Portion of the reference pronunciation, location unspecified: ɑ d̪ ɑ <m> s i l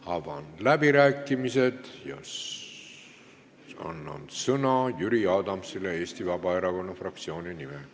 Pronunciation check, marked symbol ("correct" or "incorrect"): correct